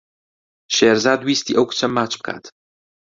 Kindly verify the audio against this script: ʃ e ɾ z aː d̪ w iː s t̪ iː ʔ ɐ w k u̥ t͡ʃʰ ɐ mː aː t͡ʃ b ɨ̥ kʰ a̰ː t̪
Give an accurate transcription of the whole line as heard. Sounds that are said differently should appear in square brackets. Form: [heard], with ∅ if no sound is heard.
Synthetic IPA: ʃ e ɾ z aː d̪ w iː s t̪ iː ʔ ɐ w k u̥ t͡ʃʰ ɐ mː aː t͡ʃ b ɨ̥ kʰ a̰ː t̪